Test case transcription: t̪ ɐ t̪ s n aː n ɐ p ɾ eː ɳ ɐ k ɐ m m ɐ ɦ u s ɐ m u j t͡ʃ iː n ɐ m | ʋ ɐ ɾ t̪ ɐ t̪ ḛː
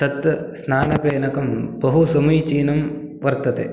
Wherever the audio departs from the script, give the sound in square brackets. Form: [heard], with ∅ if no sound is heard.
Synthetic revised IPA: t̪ ɐ t̪ s n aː n ɐ p ɾ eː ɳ ɐ k ɐ m [b] ɐ ɦ u s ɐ m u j t͡ʃ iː n ɐ m | ʋ ɐ ɾ t̪ ɐ t̪ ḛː